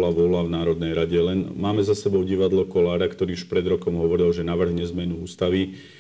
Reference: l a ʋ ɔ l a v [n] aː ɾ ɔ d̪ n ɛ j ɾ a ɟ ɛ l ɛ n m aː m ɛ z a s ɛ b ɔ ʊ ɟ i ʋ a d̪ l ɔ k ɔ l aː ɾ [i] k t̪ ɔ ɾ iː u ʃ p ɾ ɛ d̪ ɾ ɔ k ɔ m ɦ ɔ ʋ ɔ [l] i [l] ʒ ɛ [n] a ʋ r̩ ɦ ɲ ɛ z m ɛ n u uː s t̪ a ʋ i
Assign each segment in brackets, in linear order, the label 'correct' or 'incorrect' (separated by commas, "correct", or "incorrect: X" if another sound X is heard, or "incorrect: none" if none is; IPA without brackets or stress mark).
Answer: correct, incorrect: a, incorrect: ɾ, correct, correct